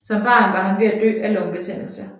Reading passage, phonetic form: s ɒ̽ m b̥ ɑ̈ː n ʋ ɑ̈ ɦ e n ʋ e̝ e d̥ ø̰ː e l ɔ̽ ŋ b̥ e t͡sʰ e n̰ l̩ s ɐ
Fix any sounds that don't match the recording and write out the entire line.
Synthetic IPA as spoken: s ɒ̽ m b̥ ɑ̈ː n ʋ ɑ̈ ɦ æ n ʋ e̝ æ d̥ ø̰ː æ l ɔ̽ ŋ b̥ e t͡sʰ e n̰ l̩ s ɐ